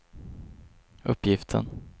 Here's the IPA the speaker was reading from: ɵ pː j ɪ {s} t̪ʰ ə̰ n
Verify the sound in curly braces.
incorrect: f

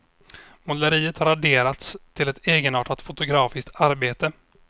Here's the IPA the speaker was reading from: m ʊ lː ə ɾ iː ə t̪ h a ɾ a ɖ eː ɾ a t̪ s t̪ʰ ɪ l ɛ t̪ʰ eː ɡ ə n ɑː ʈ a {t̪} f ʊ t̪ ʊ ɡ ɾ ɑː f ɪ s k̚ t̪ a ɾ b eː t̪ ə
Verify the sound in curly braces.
correct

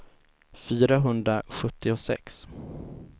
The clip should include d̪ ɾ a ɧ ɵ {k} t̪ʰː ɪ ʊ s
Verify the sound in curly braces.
incorrect: none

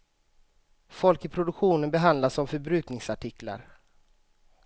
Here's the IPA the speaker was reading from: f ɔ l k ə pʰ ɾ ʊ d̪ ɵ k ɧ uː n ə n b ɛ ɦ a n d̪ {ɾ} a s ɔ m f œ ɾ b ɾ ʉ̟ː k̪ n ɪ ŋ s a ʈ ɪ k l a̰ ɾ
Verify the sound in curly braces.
incorrect: l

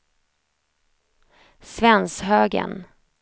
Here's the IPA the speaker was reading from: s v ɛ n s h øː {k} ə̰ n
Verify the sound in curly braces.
incorrect: ɡ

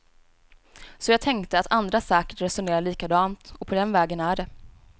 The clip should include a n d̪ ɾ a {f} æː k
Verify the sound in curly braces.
incorrect: s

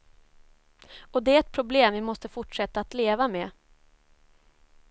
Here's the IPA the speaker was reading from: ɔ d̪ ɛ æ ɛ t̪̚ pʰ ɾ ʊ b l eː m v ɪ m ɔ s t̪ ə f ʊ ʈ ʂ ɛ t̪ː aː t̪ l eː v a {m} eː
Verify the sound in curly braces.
correct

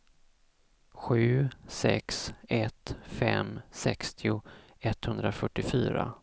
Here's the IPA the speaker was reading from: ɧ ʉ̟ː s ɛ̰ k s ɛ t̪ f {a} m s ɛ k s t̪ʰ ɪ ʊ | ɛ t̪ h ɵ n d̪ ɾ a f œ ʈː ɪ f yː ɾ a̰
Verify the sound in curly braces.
incorrect: ɛ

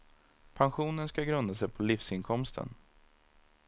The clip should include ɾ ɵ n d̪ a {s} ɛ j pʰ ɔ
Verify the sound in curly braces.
correct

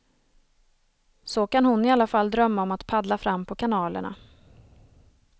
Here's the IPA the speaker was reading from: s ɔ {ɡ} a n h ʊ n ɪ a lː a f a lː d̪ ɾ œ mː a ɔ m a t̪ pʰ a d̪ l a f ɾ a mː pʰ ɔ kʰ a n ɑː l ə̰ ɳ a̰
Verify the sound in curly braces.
incorrect: k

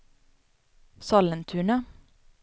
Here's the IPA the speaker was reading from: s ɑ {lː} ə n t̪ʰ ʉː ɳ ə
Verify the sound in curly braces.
incorrect: l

